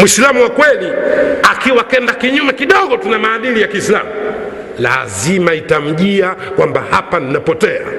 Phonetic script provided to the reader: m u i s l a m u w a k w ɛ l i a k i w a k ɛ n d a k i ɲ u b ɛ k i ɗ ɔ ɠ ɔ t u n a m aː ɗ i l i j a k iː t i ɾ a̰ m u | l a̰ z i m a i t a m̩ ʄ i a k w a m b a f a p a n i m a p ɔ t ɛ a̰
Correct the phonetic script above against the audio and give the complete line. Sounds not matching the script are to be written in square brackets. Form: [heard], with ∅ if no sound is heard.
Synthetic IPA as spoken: m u i s l a m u w a k w ɛ l i a k i w a k ɛ n d a k i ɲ u [m] ɛ k i ɗ ɔ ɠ ɔ t u n a m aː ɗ i l i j a k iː [s] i [l] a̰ m u | l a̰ z i m a i t a m̩ ʄ i a k w a m b a [h] a p a n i [n] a p ɔ t ɛ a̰